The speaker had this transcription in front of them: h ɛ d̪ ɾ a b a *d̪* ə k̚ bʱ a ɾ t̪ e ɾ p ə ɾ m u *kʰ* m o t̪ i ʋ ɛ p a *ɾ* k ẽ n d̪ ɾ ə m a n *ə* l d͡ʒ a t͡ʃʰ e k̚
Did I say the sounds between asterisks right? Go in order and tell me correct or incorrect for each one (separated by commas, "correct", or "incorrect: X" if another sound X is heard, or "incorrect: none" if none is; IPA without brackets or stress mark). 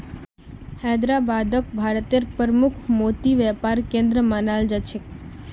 correct, correct, correct, incorrect: a